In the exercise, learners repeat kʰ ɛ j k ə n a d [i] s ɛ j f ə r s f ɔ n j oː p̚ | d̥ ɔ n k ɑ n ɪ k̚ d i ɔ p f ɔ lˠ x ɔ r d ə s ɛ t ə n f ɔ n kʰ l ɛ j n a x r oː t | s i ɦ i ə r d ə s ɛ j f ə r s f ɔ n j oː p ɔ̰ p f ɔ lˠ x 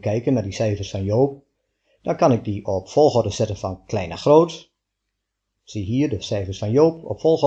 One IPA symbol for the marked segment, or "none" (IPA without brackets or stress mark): i